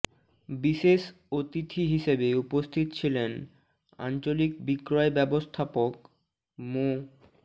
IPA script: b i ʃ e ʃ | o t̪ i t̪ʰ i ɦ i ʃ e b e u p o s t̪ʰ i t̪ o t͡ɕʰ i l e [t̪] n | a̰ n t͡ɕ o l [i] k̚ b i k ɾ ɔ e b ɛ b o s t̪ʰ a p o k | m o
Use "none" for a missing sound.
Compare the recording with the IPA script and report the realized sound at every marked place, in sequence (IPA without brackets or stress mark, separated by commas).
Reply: none, i